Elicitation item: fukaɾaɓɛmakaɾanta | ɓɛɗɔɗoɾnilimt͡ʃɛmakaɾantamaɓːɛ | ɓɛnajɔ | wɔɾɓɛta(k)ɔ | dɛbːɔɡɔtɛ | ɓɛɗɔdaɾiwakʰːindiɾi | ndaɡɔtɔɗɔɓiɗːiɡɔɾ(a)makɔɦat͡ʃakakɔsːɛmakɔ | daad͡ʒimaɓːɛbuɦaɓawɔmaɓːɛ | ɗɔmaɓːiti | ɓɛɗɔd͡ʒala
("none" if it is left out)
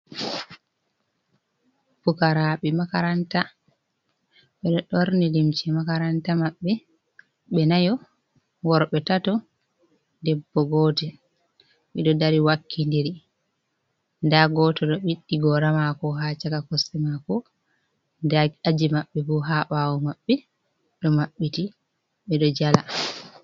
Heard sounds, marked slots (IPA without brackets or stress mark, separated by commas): t, a